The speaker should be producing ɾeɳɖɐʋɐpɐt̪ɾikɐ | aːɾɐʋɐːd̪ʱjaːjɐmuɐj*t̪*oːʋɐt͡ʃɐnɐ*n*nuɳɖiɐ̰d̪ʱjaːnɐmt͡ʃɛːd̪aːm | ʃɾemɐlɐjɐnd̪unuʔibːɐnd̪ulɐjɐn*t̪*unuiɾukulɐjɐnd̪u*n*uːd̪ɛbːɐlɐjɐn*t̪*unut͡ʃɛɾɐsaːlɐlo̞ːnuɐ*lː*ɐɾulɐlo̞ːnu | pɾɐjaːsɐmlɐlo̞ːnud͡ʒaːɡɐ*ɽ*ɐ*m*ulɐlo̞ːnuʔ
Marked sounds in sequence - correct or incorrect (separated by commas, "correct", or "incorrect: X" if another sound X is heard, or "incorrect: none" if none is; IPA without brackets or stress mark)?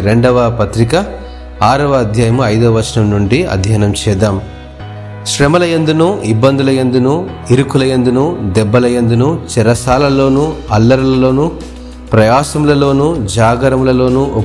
incorrect: d̪, incorrect: m, incorrect: d̪, correct, incorrect: d̪, correct, incorrect: ɾ, correct